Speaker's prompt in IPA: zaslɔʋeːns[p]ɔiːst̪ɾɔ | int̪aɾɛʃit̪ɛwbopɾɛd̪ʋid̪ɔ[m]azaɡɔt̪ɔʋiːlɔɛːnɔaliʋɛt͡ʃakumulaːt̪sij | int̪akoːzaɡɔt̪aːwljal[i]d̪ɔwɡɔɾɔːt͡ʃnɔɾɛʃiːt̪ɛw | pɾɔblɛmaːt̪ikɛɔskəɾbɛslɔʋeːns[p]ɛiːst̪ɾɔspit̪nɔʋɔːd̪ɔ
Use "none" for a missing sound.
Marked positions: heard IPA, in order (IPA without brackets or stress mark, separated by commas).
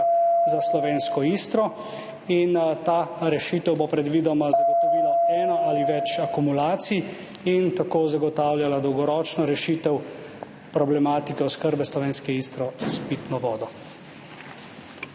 k, m, a, k